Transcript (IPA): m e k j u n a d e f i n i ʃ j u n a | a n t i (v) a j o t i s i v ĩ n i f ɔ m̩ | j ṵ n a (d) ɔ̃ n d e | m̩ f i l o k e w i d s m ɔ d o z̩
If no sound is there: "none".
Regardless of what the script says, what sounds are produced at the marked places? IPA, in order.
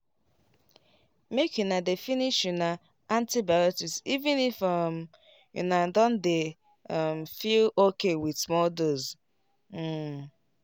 b, d

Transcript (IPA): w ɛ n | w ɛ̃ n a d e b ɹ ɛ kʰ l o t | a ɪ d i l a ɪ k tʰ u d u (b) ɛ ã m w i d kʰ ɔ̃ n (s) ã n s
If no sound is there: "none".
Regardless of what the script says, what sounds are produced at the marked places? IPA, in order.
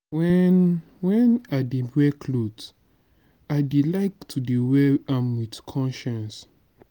w, ʃ

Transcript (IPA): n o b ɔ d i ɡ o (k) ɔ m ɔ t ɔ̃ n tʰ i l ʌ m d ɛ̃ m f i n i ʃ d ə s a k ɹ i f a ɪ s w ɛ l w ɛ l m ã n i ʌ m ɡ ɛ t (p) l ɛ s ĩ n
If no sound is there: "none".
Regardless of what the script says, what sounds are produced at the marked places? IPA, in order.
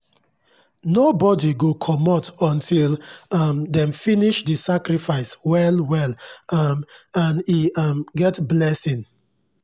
kʰ, b

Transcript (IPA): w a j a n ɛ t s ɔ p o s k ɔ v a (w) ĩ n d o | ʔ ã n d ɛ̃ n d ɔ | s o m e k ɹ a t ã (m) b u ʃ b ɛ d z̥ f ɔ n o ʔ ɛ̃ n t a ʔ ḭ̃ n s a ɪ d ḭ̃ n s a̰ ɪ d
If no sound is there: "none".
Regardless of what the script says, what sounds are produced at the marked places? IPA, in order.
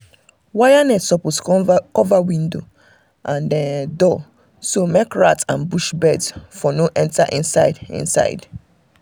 w, n

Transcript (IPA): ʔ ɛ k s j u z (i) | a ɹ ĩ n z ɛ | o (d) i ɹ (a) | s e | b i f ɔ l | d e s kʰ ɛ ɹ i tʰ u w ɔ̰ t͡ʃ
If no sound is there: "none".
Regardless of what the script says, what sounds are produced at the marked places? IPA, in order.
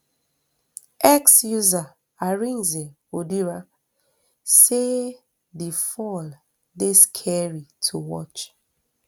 a, d, a

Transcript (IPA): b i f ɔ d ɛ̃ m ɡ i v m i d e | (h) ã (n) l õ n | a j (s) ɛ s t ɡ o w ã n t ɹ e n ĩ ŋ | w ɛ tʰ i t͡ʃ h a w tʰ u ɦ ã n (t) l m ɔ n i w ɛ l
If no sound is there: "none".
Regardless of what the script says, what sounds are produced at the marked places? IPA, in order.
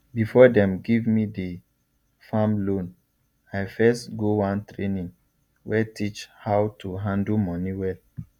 f, m, f, d

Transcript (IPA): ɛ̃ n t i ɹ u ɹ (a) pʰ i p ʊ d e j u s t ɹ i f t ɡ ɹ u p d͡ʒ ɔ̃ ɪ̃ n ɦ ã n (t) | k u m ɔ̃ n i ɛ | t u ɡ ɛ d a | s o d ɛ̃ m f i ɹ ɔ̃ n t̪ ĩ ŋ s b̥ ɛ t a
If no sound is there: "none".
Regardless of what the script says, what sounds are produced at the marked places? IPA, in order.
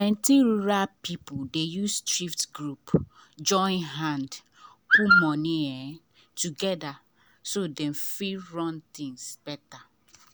a, d

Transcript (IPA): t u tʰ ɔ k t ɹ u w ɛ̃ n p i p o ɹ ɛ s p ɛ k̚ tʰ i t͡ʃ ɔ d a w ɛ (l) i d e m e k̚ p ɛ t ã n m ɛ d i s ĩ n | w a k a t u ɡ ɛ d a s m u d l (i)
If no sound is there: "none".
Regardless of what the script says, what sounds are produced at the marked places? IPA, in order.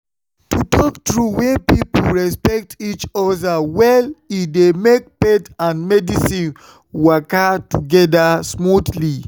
l, i

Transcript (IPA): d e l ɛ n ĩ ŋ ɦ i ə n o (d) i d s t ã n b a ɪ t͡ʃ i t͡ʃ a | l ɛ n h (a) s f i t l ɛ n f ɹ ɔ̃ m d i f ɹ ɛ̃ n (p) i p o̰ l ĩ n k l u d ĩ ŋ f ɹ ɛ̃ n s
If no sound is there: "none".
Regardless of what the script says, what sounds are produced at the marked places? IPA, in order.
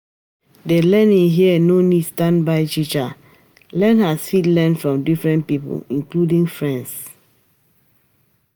n, a, p

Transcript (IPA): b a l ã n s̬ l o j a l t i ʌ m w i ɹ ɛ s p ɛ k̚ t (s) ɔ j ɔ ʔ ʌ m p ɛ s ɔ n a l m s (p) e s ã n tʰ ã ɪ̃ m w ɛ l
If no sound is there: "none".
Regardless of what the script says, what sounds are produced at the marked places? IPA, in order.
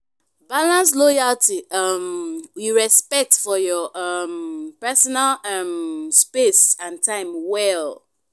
f, p

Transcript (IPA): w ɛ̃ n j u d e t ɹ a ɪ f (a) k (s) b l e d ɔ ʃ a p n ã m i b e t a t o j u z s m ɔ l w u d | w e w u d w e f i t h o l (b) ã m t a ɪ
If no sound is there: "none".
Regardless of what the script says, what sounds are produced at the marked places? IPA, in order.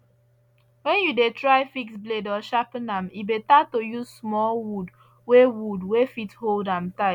i, s, d

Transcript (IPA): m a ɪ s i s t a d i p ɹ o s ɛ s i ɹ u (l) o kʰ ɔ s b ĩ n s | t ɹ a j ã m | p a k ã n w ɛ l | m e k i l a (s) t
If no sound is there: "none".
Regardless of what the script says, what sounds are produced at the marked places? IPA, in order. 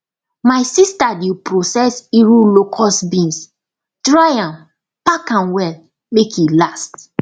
l, s

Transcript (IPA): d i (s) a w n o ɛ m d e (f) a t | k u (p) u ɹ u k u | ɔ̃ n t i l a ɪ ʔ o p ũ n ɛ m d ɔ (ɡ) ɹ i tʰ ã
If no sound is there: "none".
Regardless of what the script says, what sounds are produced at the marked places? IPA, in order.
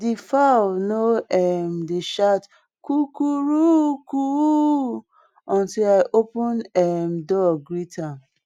f, ʃ, k, ɡ

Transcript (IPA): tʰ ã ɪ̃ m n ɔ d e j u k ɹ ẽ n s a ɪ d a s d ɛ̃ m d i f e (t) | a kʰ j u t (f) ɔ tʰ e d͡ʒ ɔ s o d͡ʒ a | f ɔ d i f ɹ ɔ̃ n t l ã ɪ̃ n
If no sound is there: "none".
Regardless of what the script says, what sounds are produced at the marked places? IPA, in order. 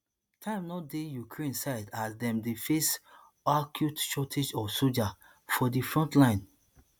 s, ʃ

